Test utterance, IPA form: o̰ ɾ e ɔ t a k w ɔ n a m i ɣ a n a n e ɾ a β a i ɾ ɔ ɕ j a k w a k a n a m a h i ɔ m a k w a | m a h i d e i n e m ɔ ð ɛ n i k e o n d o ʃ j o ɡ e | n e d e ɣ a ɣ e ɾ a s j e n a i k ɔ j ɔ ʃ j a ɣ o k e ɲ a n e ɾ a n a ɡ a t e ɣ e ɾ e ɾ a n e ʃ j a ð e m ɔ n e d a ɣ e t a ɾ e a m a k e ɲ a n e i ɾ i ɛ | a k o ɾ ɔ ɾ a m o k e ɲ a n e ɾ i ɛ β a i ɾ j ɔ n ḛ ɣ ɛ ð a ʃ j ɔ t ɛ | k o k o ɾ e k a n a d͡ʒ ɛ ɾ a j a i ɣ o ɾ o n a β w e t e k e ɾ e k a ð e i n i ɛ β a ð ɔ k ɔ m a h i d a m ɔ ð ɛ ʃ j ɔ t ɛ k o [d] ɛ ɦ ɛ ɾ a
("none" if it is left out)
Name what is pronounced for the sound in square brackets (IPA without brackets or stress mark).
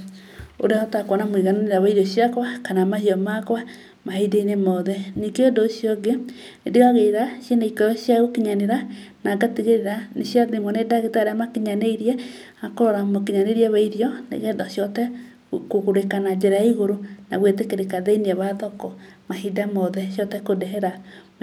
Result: d